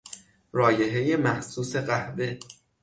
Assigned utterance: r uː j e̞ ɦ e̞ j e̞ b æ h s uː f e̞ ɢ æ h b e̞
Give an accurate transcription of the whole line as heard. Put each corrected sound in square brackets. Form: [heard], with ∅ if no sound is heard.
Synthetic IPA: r [ɒː] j e̞ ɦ e̞ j e̞ [m] æ h s uː [s] e̞ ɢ æ h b e̞